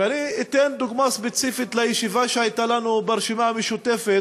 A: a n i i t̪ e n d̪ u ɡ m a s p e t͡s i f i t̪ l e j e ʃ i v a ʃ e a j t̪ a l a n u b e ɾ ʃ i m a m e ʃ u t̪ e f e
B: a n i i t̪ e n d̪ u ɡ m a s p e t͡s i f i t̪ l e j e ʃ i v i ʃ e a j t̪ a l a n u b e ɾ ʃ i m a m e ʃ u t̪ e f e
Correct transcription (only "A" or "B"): A